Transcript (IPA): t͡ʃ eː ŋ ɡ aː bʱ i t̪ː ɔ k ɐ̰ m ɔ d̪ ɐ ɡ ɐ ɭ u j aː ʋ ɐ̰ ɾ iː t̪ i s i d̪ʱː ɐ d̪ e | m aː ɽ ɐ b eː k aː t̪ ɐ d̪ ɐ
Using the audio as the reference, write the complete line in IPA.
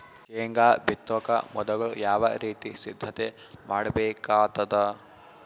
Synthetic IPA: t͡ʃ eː ŋ ɡ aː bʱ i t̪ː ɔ k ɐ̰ m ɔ d̪ ɐ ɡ ɐ ɭ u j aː ʋ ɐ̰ ɾ iː t̪ i s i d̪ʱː ɐ t̪ e | m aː ɽ ɐ b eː k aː t̪ ɐ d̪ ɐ